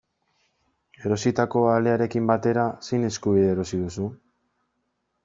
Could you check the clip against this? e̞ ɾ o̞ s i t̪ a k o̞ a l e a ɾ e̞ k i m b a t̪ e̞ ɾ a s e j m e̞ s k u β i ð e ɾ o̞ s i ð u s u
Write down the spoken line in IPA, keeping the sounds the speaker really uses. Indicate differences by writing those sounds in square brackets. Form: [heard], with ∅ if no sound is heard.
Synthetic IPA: e̞ ɾ o̞ s i t̪ a k o̞ a l e a ɾ e̞ k i m b a t̪ e̞ ɾ a s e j [n] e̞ s k u β i ð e ɾ o̞ s i ð u s u